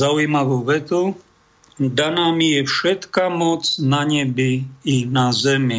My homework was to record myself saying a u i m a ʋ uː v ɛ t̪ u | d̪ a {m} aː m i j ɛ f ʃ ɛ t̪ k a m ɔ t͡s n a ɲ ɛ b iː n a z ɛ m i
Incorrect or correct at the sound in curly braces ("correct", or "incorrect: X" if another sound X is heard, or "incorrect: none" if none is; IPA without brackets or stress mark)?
incorrect: n